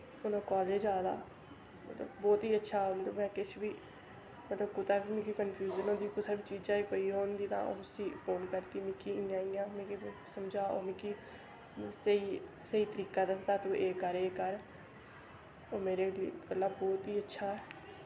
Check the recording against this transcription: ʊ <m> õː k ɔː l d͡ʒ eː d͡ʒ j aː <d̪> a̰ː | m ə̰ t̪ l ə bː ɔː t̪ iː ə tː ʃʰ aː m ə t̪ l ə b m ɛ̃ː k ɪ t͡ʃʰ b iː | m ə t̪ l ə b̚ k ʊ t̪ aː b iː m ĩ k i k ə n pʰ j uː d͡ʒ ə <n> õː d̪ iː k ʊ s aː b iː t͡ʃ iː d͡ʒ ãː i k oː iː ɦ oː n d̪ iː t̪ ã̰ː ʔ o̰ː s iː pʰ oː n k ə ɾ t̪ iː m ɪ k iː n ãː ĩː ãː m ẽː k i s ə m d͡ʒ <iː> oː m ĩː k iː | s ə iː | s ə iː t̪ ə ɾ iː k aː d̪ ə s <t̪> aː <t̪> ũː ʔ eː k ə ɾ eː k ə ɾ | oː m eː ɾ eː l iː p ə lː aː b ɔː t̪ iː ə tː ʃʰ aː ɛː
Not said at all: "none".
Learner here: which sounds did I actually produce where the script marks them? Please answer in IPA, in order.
n, d̪, n, aː, d̪, t̪

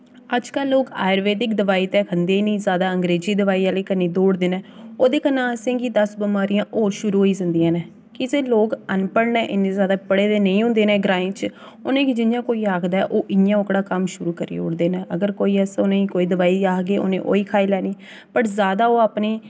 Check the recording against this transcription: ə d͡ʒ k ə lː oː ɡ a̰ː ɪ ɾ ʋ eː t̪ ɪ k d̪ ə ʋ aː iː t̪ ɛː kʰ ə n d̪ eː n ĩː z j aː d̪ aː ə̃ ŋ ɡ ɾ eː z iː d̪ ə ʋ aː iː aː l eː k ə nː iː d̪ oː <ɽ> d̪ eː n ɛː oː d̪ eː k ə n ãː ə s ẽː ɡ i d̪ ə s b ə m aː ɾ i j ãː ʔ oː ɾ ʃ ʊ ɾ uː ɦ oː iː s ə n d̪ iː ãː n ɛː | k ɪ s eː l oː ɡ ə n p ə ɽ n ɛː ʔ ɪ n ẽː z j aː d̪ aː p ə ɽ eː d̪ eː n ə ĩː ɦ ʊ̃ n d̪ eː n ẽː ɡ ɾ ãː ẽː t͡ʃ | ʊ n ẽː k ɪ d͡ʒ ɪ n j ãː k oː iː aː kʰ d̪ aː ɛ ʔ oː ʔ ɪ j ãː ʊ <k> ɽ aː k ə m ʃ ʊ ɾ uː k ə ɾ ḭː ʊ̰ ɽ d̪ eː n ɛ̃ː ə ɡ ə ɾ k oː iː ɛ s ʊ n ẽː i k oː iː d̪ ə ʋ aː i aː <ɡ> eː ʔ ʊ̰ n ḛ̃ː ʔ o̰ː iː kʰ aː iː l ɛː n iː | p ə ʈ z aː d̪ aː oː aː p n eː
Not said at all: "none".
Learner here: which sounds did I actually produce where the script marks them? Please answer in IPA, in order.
ɽ, k, ɡ

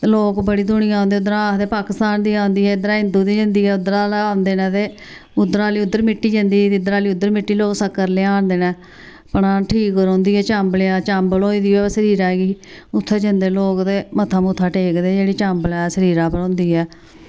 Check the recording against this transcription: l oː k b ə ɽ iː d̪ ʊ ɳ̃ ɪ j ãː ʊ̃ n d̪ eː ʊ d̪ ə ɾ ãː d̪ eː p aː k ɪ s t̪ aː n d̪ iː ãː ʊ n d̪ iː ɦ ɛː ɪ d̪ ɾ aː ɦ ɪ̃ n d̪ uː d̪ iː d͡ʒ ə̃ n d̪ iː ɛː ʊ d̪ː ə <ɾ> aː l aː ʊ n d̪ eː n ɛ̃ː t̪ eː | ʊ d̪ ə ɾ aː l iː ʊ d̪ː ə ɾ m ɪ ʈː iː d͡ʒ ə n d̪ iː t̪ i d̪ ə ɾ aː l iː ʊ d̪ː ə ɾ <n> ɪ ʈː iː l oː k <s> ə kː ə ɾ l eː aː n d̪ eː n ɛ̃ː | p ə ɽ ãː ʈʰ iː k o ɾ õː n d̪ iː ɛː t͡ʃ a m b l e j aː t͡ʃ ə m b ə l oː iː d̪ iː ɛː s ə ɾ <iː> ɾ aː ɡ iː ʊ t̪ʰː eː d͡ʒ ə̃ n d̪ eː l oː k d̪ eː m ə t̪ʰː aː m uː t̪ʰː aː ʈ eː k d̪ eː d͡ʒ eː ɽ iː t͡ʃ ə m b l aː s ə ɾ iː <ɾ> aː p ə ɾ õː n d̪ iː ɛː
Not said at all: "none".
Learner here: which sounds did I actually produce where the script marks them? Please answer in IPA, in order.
ɾ, m, s, iː, ɾ

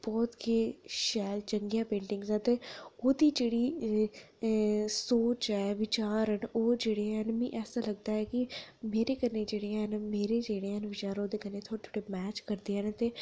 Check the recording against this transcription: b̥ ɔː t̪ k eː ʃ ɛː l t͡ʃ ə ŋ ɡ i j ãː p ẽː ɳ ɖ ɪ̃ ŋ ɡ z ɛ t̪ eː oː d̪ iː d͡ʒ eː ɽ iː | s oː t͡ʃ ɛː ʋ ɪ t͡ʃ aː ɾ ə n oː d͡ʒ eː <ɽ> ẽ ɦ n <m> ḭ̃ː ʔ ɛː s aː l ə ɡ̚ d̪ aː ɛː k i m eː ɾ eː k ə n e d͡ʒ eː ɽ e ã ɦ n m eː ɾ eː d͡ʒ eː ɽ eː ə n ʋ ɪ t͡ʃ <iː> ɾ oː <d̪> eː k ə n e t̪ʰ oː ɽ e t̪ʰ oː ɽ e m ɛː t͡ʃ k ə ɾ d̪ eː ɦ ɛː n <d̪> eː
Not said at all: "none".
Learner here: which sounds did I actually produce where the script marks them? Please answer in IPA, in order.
ɽ, m, aː, d̪, t̪

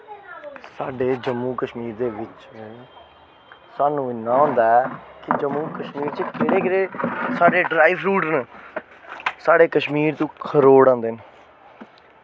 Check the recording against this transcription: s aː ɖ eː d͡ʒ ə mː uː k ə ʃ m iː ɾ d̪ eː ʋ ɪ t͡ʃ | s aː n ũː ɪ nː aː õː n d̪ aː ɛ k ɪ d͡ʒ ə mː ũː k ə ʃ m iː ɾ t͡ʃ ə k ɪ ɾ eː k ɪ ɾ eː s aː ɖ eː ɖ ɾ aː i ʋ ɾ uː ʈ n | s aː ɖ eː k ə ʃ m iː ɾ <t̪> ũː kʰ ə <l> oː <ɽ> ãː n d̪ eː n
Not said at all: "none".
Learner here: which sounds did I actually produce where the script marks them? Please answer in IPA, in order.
t̪, ɾ, ɽ

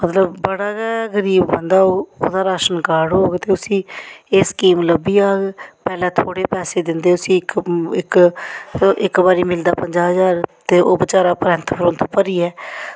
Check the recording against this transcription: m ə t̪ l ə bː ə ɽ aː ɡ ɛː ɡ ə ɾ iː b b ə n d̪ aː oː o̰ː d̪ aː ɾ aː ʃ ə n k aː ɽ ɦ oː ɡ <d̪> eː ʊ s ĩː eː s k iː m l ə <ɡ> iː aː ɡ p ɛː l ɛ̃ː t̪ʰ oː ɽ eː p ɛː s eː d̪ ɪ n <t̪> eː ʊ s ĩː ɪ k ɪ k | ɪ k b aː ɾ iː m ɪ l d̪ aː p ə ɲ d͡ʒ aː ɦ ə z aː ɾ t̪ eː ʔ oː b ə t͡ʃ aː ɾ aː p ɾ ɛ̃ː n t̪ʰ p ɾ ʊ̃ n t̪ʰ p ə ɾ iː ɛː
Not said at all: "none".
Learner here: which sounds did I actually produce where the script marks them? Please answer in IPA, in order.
t̪, b, d̪

